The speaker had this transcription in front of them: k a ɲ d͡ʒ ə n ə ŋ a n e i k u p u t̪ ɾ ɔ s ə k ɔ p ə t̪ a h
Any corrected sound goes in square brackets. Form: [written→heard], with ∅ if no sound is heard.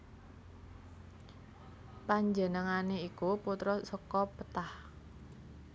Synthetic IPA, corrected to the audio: [k→p] a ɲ d͡ʒ ə n ə ŋ a n e i k u p u t̪ ɾ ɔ s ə k ɔ p ə t̪ a h